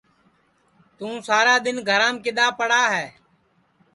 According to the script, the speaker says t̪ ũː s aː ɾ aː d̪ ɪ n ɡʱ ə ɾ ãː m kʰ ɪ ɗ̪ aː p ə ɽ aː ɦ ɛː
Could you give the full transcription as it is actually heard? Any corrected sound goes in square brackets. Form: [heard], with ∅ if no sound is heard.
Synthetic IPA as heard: t̪ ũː s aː ɾ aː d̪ ɪ n ɡʱ ə ɾ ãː m [k] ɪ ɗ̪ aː p ə ɽ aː ɦ ɛː